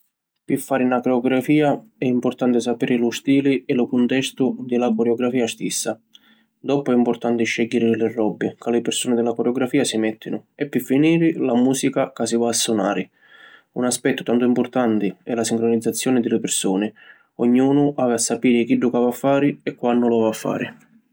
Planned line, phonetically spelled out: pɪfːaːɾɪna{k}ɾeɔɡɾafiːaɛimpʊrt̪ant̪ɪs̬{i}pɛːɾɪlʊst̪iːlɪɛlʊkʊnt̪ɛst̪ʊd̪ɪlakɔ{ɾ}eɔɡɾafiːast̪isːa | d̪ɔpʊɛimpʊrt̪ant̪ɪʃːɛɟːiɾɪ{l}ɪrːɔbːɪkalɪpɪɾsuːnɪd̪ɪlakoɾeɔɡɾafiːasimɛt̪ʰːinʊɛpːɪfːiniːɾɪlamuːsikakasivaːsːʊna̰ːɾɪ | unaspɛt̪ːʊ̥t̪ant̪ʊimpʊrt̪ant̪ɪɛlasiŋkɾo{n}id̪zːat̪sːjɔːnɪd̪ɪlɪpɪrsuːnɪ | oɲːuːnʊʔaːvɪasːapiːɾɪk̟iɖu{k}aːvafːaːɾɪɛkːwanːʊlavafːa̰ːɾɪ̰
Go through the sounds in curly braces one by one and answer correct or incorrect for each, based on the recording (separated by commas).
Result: correct, incorrect, correct, correct, correct, correct